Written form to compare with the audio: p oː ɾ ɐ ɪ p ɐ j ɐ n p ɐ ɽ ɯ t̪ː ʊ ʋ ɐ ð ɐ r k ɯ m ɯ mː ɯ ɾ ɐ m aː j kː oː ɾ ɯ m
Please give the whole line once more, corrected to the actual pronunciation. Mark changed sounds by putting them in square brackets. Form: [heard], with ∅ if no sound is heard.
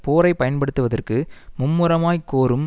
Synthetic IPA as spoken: p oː ɾ ɐ ɪ p ɐ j ɐ n p ɐ ɽ ɯ t̪ː [ɯ] ʋ ɐ ð ɐ r k ɯ m [ʊ] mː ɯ ɾ ɐ m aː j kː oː ɾ ɯ m